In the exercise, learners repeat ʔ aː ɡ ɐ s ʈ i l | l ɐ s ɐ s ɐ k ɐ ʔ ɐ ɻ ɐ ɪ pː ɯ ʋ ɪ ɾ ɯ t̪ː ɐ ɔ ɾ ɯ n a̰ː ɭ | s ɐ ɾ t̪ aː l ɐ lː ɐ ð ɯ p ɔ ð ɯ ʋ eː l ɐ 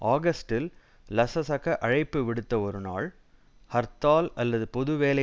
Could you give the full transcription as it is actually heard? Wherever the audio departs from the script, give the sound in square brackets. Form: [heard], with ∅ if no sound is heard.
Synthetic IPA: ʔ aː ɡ ɐ s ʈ [ɪ] l | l ɐ s ɐ s ɐ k ɐ ʔ ɐ ɻ ɐ ɪ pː ɯ ʋ ɪ [ɽ] ɯ t̪ː ɐ ɔ ɾ ɯ n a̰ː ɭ | [h] ɐ ɾ t̪ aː l ɐ lː ɐ ð ɯ p ɔ ð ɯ ʋ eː l ɐ